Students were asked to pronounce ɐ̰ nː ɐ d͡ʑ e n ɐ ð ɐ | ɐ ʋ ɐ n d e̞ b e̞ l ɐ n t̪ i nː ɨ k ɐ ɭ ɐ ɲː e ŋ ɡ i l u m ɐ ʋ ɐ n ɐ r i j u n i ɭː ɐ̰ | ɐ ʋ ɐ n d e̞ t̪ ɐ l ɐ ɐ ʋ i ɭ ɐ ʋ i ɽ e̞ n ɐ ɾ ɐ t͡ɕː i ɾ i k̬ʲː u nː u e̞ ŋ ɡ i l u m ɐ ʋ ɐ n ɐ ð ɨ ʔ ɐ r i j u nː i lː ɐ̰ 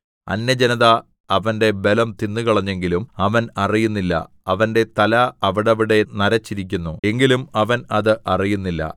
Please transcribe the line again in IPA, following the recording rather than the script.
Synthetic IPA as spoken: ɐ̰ nː ɐ d͡ʑ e n ɐ ð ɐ | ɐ ʋ ɐ n d e̞ b e̞ l ɐ m t̪ i nː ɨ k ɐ ɭ ɐ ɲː e ŋ ɡ i l u m ɐ ʋ ɐ n ɐ r i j u nː i lː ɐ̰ | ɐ ʋ ɐ n d e̞ t̪ ɐ l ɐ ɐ ʋ i ɽ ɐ ʋ i ɽ e̞ n ɐ ɾ ɐ t͡ɕː i ɾ i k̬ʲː u nː u e̞ ŋ ɡ i l u m ɐ ʋ ɐ n ɐ ð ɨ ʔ ɐ r i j u nː i lː ɐ̰

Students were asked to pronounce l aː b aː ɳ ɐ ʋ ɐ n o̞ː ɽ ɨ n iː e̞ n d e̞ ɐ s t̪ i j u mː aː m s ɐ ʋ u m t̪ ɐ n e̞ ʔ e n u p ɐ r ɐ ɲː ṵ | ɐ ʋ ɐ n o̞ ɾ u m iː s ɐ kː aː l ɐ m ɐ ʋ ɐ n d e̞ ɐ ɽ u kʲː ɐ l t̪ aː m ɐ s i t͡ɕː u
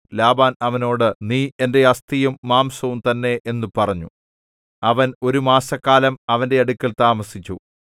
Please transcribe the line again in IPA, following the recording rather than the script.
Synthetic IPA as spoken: l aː b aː n ɐ ʋ ɐ n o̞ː ɽ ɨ n iː e̞ n d e̞ ɐ s t̪ i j u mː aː m s ɐ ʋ u m t̪ ɐ nː e̞ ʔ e nː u p ɐ r ɐ ɲː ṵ | ɐ ʋ ɐ n o̞ ɾ u m aː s ɐ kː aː l ɐ m ɐ ʋ ɐ n d e̞ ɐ ɽ u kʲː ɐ l t̪ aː m ɐ s i t͡ɕː u

